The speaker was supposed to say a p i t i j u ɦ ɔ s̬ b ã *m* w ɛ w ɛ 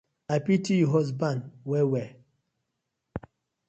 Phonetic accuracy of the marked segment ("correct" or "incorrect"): incorrect